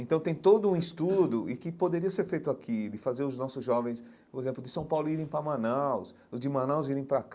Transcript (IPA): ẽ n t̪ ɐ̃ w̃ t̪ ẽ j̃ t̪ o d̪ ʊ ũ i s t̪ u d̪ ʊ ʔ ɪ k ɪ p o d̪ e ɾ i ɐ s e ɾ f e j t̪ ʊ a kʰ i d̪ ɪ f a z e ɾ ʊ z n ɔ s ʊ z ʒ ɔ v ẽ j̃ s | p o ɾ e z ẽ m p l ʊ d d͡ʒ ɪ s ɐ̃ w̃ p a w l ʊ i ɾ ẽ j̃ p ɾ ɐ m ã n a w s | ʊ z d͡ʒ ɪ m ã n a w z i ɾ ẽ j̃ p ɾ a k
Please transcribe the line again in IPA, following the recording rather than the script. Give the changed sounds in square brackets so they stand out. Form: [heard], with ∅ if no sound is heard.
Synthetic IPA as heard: ẽ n t̪ ɐ̃ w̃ t̪ ẽ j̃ t̪ o d̪ ʊ ũ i s t̪ u d̪ ʊ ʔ ɪ k ɪ p o d̪ e ɾ i ɐ s e ɾ f e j t̪ ʊ a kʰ i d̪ ɪ f a z e ɾ ʊ z n ɔ s ʊ z ʒ ɔ v ẽ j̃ s | p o ɾ e z ẽ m p l ʊ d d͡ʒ ɪ s ɐ̃ w̃ p a w l ʊ i ɾ ẽ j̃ p ɾ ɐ m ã n a w s | ʊ z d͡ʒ ɪ m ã n a w z i ɾ ẽ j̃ p ɾ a k